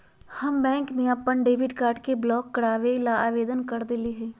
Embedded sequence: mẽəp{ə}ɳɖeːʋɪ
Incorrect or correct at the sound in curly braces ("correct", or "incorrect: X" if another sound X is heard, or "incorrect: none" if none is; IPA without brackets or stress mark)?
correct